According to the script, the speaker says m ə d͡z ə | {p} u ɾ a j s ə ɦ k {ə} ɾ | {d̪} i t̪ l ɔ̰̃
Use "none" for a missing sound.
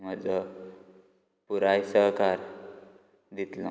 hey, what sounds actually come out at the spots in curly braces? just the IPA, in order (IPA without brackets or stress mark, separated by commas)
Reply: p, a, d̪